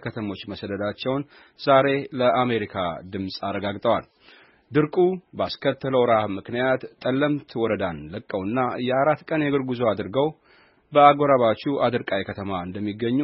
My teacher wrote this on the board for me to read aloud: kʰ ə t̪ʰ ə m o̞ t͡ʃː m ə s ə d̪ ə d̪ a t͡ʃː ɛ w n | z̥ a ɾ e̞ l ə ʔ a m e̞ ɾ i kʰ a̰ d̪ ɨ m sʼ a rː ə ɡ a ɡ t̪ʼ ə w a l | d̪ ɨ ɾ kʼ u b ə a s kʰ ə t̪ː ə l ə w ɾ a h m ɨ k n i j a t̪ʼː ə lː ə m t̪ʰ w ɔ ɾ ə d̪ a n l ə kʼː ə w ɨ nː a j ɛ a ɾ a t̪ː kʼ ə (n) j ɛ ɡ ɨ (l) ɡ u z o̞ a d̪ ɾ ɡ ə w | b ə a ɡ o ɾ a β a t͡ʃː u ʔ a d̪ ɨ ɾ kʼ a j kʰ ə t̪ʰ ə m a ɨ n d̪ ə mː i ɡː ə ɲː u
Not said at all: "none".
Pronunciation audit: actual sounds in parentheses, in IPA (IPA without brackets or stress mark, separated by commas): n, ɾ